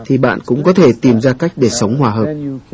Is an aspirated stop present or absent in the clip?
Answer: present